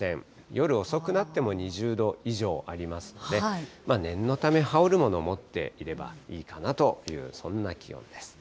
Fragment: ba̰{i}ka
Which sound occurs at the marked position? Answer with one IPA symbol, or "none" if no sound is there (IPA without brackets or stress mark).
iː